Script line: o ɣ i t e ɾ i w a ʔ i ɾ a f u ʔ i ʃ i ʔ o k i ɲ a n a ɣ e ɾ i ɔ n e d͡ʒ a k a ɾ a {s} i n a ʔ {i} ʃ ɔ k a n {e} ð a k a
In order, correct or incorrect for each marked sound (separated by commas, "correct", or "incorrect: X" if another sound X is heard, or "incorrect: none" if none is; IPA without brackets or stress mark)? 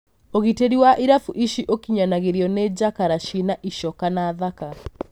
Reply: incorrect: ʃ, correct, incorrect: a